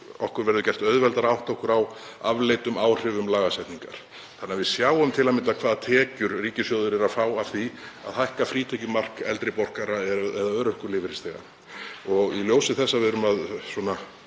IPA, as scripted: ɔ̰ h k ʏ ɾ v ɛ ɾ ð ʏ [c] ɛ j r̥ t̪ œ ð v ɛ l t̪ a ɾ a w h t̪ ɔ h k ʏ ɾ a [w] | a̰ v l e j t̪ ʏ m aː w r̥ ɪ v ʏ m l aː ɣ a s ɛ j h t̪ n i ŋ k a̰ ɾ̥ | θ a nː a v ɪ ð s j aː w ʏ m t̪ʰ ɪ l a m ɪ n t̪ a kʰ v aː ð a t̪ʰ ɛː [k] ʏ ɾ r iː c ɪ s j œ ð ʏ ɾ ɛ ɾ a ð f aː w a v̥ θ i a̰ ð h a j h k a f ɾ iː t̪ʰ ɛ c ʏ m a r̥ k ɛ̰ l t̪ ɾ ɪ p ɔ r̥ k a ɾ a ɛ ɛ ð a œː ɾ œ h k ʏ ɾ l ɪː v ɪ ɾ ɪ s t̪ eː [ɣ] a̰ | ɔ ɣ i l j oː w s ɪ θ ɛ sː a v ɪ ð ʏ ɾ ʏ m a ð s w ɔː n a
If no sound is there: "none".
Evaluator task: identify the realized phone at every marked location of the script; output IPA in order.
c, w, c, ɣ

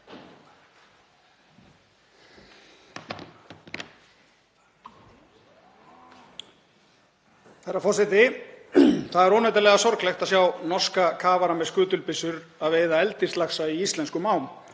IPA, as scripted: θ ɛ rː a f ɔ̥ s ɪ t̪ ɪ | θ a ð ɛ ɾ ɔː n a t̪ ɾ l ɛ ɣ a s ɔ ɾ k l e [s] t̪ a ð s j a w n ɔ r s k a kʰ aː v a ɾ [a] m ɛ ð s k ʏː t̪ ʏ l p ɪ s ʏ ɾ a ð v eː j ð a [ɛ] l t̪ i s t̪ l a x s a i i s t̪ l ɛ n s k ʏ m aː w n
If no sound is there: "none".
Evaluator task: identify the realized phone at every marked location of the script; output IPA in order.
x, a, ɛ

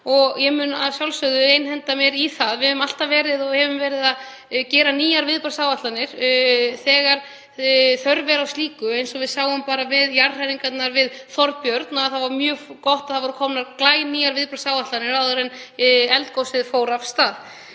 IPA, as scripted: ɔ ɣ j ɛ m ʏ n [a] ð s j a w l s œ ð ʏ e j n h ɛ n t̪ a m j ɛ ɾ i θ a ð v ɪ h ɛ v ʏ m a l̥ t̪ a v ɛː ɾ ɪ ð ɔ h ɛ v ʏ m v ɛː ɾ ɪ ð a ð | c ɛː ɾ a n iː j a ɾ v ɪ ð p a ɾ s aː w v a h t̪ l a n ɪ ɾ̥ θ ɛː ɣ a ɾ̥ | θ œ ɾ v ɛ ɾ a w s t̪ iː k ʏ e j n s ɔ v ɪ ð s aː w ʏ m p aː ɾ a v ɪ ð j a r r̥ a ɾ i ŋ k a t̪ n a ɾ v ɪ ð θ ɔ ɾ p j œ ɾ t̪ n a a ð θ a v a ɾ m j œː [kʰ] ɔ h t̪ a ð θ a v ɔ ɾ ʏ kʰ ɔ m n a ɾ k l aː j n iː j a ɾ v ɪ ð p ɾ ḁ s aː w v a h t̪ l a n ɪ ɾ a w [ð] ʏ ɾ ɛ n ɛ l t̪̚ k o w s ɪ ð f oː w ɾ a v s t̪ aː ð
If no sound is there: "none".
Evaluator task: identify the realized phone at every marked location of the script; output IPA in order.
a, k, ð

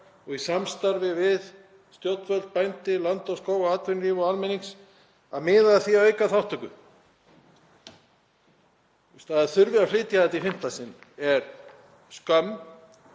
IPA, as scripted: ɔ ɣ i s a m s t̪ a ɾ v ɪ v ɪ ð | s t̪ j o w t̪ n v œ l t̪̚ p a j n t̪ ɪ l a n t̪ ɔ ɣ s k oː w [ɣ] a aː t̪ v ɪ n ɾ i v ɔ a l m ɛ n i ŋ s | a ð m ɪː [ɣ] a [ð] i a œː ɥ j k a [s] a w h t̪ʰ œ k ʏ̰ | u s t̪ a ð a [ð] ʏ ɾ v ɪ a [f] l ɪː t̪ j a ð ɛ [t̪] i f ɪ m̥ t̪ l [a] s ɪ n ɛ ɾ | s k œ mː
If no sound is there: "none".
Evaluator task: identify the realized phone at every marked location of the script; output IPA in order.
ɣ, ð, θ, θ, θ, f, t̪, a

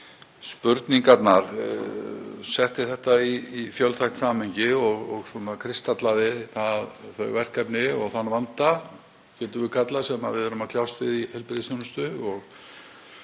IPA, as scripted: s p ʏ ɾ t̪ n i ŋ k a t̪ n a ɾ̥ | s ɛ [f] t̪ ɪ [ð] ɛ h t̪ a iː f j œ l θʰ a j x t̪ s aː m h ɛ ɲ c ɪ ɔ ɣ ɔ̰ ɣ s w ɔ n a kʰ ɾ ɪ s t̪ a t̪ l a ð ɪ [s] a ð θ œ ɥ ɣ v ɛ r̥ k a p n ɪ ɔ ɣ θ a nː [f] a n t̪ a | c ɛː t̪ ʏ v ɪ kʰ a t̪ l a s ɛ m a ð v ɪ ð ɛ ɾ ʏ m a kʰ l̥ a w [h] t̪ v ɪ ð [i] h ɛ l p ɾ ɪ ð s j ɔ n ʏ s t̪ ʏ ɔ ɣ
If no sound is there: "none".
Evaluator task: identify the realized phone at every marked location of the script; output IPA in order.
h, θ, θ, v, s, i

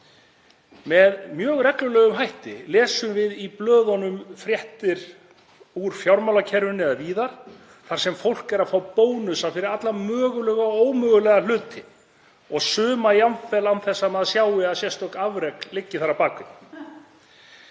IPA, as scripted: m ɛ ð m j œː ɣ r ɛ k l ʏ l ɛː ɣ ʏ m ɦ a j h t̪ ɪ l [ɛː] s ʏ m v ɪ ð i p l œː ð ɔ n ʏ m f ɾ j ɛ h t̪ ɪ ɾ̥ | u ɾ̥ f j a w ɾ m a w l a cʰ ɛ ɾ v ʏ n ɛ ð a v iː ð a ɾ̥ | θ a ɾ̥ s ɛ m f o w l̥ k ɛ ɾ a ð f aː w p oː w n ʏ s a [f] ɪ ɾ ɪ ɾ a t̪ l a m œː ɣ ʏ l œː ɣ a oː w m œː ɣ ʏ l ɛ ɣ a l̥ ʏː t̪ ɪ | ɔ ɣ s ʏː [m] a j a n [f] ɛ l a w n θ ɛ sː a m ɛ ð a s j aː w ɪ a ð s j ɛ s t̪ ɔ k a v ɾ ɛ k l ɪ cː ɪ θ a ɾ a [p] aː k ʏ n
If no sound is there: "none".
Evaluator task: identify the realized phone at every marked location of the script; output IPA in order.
ɛː, f, m, f, p

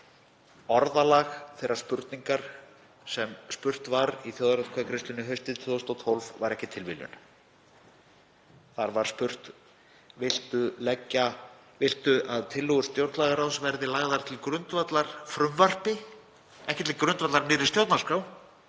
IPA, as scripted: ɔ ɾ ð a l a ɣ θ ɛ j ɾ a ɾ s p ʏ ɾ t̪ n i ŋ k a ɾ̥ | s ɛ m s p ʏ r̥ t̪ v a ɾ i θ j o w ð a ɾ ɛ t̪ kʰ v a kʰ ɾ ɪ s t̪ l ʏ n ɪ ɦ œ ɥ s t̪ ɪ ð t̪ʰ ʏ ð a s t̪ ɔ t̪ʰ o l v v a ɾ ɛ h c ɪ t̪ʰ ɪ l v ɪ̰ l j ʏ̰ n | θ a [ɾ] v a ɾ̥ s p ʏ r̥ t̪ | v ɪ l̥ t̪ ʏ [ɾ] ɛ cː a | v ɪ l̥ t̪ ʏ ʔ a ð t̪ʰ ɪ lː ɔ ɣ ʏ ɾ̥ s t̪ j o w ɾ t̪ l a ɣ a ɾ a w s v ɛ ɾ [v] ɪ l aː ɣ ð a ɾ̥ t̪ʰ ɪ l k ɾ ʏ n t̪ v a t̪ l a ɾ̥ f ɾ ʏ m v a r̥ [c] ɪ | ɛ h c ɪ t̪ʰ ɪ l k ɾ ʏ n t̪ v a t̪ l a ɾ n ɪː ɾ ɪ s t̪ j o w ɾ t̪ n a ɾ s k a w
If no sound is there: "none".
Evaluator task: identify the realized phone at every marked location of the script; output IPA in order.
ɾ, l, ð, p

